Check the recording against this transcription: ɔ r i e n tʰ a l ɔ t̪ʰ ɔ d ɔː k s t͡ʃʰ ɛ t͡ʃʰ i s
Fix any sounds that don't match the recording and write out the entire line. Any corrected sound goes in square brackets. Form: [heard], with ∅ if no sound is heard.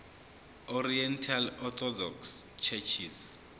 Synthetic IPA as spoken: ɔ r i [ɛ] n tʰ a l ɔ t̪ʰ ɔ d [ɔ] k s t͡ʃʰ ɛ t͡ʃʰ i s

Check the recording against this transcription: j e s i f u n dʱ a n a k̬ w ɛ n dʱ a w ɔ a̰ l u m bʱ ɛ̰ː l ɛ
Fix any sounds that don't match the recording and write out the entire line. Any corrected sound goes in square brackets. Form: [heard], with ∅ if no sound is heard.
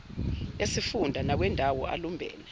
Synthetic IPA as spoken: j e s i f u n dʱ a n a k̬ w ɛ n dʱ a w ɔ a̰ l u m bʱ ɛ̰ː l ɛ

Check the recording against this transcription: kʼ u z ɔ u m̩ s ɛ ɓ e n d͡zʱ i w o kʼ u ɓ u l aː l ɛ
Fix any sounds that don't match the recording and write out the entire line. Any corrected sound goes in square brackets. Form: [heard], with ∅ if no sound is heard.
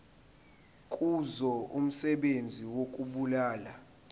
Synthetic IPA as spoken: kʼ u z ɔ u m̩ s ɛ ɓ e n d͡zʱ i w o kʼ u ɓ u l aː l [a]

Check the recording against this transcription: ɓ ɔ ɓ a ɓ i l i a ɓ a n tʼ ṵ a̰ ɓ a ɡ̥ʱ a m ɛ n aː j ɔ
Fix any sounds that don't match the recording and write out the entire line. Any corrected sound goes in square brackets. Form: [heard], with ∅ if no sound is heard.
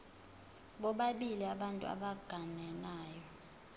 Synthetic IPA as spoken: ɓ ɔ ɓ a ɓ i l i a ɓ a n tʼ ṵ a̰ ɓ a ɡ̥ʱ a [n] ɛ n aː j ɔ

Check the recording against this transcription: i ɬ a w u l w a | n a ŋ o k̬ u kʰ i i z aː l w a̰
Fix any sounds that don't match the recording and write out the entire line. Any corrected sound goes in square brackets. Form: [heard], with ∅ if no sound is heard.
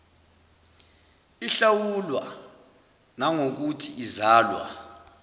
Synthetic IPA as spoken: i ɬ a w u l w a | n a ŋ o k̬ u [tʰ] i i z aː l w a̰

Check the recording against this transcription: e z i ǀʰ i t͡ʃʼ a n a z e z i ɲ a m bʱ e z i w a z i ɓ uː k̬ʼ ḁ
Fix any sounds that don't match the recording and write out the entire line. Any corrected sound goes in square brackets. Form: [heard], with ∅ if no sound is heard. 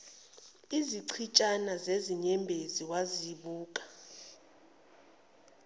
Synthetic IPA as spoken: [i] z i ǀʰ i t͡ʃʼ a n a z e z i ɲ [ɛ] m bʱ e z i w a z i ɓ uː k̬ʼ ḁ

